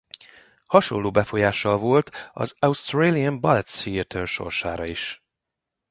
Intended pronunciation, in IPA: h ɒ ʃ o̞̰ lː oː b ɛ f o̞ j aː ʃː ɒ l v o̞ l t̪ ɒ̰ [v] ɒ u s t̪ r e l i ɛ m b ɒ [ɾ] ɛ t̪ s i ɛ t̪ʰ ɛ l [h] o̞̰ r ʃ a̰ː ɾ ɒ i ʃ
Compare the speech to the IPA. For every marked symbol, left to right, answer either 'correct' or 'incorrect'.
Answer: incorrect, incorrect, incorrect

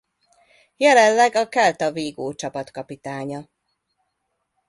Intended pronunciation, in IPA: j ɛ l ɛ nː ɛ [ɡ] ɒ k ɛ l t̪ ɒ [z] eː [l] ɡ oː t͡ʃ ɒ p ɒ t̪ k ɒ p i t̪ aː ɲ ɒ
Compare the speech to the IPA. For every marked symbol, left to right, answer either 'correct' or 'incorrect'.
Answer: correct, incorrect, incorrect

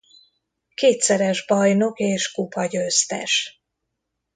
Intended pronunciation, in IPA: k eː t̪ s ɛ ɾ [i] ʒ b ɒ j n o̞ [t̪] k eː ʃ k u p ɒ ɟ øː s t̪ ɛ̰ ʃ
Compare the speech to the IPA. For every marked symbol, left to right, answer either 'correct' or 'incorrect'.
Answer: incorrect, incorrect

